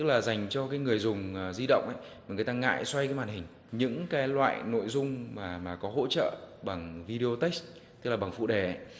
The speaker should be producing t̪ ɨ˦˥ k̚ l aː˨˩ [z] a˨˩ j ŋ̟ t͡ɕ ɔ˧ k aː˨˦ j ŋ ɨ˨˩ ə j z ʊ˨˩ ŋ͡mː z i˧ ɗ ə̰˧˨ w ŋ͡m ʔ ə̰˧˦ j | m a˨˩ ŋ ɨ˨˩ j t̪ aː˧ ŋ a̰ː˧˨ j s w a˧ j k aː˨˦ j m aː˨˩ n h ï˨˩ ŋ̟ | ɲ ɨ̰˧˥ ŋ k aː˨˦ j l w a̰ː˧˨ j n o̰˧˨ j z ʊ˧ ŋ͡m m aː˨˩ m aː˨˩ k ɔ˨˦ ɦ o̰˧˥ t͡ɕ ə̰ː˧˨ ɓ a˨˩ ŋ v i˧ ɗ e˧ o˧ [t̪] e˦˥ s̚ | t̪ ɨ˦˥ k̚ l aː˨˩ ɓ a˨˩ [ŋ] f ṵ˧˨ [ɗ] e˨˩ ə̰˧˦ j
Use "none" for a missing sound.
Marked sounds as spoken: z, t̪, ŋ, ɗ

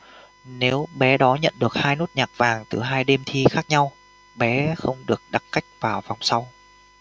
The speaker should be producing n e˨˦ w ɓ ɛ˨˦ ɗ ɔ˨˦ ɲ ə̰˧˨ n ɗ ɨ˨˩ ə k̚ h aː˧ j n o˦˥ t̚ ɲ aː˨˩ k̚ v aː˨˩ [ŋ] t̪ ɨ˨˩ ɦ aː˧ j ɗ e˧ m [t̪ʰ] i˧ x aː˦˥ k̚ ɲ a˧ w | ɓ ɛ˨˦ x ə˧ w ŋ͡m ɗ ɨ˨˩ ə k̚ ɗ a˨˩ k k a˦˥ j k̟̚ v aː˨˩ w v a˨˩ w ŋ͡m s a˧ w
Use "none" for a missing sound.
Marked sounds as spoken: ŋ, t̪ʰ

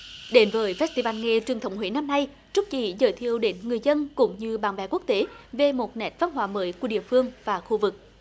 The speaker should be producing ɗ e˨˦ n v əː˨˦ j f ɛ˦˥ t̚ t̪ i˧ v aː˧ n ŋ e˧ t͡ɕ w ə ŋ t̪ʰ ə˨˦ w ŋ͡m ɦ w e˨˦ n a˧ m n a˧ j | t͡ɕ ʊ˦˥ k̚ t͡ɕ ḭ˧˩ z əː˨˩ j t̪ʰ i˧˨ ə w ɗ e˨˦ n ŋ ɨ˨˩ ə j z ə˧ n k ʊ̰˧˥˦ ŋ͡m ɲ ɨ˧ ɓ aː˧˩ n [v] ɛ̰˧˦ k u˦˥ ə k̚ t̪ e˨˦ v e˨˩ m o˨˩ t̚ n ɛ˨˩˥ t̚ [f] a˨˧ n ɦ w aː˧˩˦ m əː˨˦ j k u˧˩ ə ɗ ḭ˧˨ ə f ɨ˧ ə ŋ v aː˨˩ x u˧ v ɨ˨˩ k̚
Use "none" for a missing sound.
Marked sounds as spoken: v, v

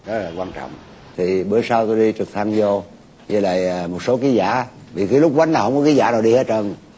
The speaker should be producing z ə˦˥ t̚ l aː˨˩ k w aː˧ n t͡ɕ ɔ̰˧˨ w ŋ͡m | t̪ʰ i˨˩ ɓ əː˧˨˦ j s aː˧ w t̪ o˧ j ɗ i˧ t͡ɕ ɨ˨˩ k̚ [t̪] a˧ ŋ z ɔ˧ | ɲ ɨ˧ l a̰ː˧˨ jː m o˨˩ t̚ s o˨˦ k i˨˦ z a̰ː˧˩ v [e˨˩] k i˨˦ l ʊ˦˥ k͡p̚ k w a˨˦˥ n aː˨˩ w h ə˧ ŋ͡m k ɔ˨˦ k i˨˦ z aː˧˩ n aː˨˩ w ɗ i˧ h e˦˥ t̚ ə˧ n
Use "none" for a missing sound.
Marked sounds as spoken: t̪ʰ, i˨˩

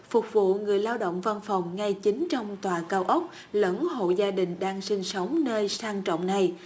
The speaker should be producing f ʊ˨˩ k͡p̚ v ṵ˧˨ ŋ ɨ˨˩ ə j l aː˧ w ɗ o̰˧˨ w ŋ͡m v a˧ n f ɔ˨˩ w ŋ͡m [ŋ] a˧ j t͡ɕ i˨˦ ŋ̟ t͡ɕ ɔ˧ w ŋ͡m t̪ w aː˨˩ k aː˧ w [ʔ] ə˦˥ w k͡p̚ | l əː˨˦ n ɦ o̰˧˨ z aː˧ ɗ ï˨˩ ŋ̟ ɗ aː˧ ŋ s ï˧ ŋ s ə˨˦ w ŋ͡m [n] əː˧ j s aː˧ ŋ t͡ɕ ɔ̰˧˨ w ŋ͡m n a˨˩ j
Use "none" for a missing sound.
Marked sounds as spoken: ŋ, ʔ, n

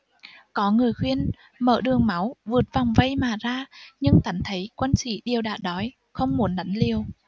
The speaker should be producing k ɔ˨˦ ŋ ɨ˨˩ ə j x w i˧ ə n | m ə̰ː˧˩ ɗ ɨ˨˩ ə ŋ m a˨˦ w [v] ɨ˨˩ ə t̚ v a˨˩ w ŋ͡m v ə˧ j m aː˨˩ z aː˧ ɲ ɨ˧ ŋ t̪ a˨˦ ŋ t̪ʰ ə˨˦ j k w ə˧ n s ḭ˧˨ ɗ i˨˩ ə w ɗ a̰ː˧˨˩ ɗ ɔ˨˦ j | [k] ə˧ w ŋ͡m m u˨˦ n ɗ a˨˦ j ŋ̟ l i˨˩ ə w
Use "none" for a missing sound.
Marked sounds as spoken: v, x

